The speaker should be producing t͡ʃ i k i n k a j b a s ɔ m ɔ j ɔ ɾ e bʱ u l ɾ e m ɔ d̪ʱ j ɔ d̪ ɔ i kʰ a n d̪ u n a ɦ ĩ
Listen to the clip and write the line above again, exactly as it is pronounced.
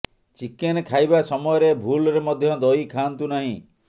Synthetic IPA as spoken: t͡ʃ i k e n kʰ a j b a s ɔ m ɔ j ɔ ɾ e bʱ u l ɾ e m ɔ d̪ʱ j ɔ d̪ ɔ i kʰ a n t̪ u n a ɦ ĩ

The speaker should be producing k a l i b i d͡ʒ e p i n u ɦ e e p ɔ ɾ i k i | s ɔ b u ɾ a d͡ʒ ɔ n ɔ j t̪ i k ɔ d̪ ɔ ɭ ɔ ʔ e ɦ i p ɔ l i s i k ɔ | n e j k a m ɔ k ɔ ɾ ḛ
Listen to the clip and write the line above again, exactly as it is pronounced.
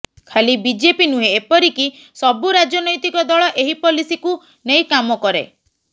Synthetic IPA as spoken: kʰ a l i b i d͡ʒ e p i n u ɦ e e p ɔ ɾ i k i | s ɔ b u ɾ a d͡ʒ ɔ n ɔ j t̪ i k ɔ d̪ ɔ ɭ ɔ ʔ e ɦ i p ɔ l i s i k u | n e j k a m ɔ k ɔ ɾ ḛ

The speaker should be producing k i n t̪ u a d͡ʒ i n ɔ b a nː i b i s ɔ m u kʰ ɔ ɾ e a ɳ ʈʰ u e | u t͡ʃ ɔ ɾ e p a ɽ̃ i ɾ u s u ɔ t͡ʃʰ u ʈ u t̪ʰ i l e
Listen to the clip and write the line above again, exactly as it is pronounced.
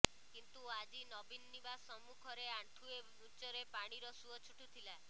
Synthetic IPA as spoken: k i n t̪ u a d͡ʒ i n ɔ b i nː i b a s ɔ m u kʰ ɔ ɾ e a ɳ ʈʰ u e | u t͡ʃ ɔ ɾ e p a ɽ̃ i ɾ ɔ s u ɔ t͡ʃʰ u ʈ u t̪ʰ i l a

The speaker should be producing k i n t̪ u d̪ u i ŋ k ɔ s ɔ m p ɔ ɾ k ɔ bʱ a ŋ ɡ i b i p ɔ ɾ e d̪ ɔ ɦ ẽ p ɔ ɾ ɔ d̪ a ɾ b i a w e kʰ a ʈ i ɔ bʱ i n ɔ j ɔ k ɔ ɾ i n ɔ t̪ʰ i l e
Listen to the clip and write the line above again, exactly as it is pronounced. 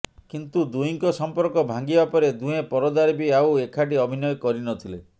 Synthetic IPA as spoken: k i n t̪ u d̪ u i ŋ k ɔ s ɔ m p ɔ ɾ k ɔ bʱ a ŋ ɡ i b a p ɔ ɾ e d̪ u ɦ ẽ p ɔ ɾ ɔ d̪ a ɾ b i a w e kʰ a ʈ i ɔ bʱ i n ɔ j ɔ k ɔ ɾ i n ɔ t̪ʰ i l e

